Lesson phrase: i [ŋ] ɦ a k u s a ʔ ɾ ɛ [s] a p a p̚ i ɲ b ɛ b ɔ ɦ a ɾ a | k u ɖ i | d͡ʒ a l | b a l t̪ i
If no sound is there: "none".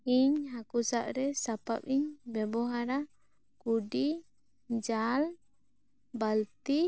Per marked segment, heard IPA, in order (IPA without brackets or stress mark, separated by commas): ɲ, s